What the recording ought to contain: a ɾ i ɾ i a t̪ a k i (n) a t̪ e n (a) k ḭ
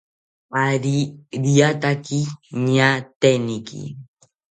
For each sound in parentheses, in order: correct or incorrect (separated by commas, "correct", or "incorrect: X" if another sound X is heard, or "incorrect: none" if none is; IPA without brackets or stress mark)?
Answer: incorrect: ɲ, incorrect: i